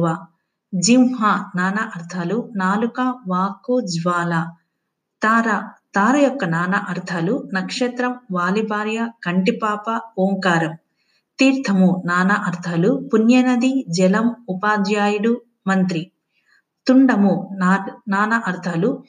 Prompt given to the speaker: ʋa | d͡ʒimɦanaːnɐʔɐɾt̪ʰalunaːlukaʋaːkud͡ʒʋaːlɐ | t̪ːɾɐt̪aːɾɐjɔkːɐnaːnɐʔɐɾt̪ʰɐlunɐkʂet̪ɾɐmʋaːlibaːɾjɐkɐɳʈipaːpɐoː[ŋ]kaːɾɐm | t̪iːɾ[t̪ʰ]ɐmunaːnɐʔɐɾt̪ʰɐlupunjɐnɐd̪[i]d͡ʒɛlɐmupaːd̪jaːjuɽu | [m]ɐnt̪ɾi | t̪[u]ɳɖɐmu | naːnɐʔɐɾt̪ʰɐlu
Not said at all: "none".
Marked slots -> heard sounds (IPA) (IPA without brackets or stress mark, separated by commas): ŋ, t̪ʰ, i, m, u